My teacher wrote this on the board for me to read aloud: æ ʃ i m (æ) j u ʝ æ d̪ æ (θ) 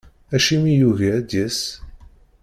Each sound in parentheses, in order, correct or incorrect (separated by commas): incorrect, incorrect